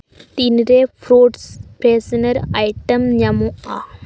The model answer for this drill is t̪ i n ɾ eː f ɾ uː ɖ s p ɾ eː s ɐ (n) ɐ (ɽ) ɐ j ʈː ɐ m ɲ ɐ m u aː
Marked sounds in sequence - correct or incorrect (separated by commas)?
correct, incorrect